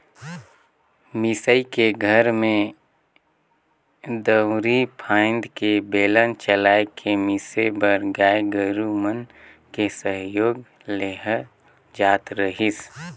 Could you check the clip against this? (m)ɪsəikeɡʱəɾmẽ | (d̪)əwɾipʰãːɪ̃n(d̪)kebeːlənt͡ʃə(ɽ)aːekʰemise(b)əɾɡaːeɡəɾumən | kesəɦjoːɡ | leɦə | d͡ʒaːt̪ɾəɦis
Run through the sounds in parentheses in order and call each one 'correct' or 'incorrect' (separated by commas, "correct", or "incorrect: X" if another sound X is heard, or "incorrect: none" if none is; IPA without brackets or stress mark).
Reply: correct, correct, correct, incorrect: l, correct